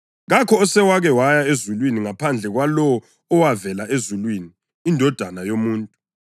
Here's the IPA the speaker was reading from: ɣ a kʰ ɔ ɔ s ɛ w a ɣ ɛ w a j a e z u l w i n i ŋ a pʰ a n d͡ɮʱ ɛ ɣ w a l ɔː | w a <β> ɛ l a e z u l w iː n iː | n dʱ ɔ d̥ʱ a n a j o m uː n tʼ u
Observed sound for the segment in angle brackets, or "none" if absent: v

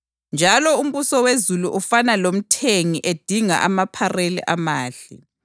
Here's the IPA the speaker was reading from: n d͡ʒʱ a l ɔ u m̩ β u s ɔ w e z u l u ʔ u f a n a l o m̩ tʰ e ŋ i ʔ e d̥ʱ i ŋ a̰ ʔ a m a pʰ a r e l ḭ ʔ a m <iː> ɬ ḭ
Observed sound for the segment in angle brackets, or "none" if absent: aː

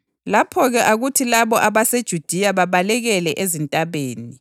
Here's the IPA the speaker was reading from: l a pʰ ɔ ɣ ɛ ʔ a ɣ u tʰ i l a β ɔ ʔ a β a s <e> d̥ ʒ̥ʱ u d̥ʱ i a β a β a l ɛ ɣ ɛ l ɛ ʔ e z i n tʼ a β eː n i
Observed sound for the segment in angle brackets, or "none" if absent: e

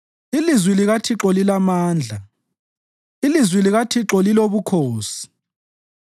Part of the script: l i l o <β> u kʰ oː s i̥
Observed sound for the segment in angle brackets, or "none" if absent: β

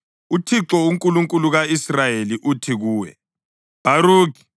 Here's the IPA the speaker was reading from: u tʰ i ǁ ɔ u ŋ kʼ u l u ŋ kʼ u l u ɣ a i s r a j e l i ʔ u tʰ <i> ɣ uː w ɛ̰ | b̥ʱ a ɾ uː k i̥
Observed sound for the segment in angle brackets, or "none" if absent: i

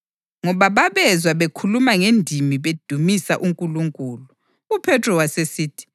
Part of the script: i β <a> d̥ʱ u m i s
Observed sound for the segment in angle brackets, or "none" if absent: e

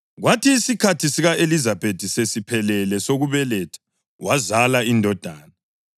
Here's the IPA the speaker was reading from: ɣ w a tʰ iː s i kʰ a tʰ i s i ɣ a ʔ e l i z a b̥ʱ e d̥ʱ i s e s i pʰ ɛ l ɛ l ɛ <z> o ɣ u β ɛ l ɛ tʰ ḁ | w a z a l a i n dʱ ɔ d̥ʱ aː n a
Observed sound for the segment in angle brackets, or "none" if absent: s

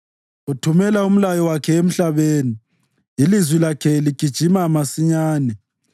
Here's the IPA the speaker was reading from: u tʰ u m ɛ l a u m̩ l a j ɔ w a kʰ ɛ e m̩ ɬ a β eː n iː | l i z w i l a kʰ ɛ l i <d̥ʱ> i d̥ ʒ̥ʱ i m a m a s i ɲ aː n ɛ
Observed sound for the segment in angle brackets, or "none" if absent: ɡ̥ʱ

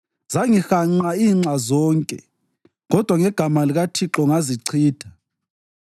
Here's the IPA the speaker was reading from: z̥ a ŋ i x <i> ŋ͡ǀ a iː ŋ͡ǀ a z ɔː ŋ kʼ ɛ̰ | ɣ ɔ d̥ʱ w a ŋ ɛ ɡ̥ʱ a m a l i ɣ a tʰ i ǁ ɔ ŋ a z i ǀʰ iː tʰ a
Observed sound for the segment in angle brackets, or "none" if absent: a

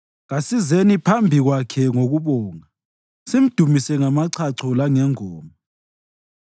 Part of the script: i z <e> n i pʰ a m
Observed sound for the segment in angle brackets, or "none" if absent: e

